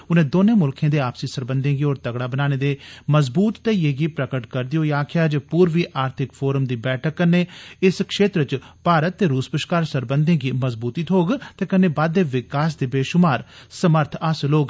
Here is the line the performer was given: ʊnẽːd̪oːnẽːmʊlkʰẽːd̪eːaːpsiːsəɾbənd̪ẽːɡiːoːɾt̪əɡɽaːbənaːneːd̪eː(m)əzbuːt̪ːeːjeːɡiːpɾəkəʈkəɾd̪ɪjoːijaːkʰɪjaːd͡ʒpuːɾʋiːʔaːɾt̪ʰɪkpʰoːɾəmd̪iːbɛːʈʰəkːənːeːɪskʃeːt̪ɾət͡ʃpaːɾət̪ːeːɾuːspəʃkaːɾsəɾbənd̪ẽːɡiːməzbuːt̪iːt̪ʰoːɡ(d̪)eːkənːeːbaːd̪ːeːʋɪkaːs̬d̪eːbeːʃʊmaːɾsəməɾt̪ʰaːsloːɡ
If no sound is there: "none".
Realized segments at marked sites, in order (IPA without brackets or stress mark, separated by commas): m, t̪